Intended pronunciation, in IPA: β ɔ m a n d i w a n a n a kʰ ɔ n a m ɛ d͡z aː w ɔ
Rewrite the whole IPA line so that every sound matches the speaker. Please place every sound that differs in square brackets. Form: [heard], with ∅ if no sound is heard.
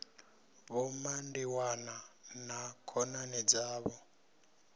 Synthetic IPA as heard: β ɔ m a n d i w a n a n a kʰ ɔ n a [n] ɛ d͡z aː [β] ɔ